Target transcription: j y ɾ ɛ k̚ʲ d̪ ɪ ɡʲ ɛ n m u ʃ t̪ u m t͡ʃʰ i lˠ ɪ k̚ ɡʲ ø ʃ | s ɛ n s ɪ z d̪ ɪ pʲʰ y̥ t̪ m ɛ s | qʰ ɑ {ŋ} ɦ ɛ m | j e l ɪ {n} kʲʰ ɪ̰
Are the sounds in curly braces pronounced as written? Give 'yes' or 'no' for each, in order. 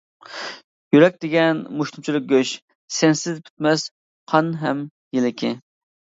no, no

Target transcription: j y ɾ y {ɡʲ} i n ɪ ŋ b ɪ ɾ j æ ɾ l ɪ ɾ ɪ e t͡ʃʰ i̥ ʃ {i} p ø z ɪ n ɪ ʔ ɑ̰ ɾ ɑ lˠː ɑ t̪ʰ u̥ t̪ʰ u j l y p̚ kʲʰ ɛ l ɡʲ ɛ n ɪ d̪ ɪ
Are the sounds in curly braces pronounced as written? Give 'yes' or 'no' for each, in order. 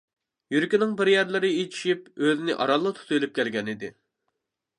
no, yes

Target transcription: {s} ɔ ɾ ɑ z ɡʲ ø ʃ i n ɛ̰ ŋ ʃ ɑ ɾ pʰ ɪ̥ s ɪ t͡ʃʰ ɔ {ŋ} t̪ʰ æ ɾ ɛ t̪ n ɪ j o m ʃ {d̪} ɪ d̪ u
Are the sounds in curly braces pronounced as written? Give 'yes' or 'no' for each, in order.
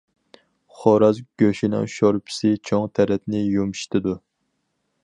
no, yes, no

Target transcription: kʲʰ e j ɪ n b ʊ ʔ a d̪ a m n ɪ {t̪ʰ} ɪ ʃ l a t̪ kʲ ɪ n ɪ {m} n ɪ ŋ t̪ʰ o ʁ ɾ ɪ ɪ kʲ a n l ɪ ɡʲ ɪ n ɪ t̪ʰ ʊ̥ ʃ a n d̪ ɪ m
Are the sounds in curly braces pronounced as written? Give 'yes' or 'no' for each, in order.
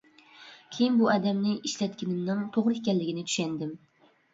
no, yes

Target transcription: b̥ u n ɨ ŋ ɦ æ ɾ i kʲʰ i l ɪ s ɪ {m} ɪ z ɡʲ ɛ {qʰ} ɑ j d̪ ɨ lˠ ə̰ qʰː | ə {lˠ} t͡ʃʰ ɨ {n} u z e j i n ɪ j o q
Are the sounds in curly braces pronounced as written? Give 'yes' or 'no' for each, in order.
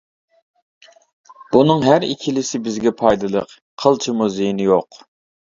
no, no, yes, no

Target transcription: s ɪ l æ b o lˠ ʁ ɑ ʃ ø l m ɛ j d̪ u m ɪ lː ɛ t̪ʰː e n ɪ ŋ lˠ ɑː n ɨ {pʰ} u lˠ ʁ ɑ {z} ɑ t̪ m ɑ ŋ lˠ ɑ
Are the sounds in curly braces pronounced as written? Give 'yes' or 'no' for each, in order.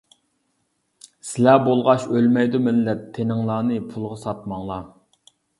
yes, no

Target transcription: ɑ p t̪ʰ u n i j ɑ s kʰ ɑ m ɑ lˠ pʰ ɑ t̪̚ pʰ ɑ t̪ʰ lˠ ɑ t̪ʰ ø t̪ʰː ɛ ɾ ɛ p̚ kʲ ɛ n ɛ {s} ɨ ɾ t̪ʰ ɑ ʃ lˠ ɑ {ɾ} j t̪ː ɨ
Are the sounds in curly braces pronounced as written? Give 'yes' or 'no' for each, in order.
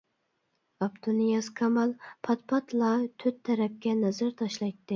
no, no

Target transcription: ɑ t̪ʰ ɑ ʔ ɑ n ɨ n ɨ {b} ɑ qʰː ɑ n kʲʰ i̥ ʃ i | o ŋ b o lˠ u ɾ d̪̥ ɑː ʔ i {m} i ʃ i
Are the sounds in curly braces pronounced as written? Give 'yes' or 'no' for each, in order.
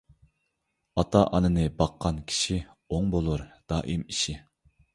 yes, yes

